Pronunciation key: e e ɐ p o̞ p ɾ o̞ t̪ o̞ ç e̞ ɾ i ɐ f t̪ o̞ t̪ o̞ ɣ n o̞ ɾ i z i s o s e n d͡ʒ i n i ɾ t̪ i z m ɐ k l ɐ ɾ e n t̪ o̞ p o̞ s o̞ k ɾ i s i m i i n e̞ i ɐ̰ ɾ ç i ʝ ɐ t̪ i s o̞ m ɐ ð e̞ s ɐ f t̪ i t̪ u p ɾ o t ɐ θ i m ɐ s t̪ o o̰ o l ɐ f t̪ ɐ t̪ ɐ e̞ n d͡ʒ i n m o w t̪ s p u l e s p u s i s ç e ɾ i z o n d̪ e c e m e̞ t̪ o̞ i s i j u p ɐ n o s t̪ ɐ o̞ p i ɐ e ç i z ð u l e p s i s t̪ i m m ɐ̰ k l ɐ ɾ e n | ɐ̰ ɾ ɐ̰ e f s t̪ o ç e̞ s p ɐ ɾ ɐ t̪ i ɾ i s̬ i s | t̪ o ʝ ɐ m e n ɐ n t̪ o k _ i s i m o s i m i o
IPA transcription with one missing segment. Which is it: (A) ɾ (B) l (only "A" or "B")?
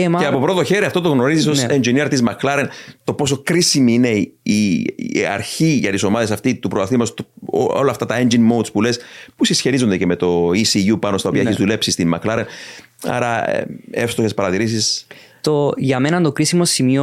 A